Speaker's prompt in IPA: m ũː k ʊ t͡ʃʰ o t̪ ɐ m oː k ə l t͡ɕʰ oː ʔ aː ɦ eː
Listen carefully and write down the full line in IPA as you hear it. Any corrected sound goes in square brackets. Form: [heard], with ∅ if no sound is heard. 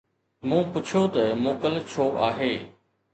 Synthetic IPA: m ũː [p] ʊ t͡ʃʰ o t̪ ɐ m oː k ə l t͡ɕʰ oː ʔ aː ɦ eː